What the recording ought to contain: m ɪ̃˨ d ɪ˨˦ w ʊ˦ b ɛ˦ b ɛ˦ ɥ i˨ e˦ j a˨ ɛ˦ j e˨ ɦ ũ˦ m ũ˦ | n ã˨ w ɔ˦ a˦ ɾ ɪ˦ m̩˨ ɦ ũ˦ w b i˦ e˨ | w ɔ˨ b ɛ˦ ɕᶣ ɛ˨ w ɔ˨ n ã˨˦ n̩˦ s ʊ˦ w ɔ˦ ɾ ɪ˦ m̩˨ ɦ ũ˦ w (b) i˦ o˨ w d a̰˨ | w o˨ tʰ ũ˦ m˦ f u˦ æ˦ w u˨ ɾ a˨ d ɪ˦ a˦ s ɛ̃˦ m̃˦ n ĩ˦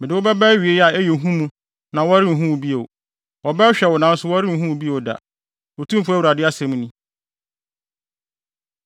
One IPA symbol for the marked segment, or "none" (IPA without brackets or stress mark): b